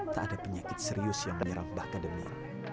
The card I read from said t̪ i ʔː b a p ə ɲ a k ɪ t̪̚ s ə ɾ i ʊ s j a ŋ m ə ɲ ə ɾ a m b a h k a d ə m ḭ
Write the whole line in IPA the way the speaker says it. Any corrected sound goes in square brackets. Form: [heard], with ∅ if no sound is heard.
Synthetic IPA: t̪ [a] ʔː [d] a p ə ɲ a k ɪ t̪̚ s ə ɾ i ʊ s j a ŋ m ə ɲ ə ɾ a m b a h k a d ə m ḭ